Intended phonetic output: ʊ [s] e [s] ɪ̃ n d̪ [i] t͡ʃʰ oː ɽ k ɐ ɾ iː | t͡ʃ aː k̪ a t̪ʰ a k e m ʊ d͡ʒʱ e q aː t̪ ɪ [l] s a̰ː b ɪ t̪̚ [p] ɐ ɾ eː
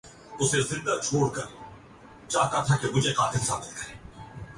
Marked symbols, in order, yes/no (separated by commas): yes, no, no, yes, no